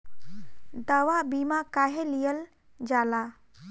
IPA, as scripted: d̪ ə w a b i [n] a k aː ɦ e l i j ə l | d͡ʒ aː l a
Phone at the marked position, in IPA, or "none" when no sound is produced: m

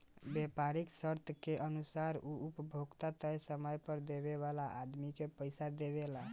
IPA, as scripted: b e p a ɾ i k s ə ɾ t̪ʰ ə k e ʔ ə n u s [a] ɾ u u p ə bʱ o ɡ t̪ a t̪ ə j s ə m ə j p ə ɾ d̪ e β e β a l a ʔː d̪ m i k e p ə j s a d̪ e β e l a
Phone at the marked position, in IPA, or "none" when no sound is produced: a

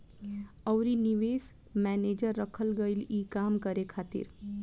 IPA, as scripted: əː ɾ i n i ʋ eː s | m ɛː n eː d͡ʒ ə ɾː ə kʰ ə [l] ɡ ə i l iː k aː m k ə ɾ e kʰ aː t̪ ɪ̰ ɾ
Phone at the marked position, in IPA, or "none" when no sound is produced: l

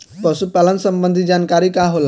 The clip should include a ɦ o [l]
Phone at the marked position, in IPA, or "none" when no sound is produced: l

